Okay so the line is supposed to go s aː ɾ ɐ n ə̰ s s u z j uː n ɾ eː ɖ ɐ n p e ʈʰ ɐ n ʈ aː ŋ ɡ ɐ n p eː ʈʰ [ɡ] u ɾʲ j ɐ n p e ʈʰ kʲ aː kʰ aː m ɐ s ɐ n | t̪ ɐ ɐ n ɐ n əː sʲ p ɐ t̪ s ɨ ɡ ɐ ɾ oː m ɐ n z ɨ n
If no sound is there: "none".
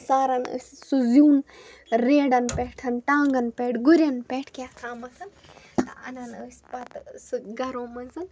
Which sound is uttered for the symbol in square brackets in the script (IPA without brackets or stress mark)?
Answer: ɡ